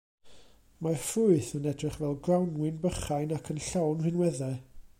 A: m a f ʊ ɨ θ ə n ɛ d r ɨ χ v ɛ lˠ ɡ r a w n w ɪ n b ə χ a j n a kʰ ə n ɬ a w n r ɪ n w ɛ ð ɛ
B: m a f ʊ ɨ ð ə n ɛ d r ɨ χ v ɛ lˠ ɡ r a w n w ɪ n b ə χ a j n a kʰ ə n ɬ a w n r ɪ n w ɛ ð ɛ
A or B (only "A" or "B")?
A